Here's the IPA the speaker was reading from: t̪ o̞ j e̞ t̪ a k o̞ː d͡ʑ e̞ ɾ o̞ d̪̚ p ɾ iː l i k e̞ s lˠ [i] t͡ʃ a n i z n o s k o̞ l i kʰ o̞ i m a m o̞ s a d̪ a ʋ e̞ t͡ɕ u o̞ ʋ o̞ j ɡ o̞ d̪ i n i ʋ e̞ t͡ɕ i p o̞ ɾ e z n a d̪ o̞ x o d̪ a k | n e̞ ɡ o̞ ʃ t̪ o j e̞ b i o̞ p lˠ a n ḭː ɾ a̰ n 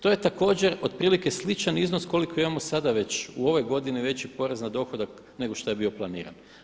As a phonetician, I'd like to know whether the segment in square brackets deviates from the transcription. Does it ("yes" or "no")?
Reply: no